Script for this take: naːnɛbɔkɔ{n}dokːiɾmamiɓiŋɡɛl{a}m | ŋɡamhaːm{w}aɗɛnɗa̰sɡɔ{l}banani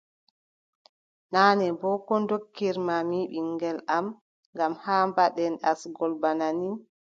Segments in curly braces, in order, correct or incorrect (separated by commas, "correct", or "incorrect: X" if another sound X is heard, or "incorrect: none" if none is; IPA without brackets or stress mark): correct, correct, incorrect: b, correct